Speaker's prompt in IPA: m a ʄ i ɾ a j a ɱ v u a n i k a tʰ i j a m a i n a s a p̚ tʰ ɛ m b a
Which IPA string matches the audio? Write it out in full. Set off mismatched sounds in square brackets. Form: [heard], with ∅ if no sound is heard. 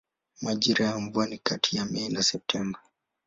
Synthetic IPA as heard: m a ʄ i ɾ a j a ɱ v u a n i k a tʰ i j a m [ɛ] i n a s [ɛ] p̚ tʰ ɛ m b a